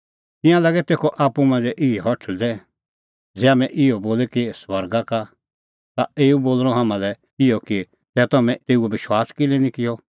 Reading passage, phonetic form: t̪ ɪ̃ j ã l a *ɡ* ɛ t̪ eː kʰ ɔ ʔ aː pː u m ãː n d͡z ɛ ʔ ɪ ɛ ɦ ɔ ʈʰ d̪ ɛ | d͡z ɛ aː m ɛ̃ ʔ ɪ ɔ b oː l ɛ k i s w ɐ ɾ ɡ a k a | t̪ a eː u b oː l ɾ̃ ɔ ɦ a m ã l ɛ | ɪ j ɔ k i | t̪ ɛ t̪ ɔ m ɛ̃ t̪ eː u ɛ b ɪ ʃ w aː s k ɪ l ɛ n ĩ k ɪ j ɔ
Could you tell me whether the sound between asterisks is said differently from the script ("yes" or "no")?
no